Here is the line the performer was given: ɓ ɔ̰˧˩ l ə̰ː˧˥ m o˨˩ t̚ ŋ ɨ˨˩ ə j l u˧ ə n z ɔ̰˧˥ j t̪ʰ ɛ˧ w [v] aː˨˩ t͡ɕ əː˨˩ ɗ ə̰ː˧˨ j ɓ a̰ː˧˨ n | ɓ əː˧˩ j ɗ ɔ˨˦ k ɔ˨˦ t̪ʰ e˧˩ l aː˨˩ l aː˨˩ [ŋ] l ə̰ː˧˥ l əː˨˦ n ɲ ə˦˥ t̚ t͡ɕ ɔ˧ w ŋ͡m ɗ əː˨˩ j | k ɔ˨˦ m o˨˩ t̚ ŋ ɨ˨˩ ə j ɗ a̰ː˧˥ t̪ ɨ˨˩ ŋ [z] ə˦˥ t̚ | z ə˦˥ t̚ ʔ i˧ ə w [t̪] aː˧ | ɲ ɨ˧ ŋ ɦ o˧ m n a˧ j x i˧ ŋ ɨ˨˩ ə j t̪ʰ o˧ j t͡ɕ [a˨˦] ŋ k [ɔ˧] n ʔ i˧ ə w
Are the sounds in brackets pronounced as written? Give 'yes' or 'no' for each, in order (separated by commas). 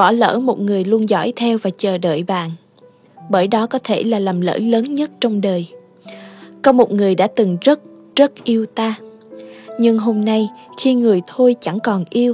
yes, no, yes, yes, no, no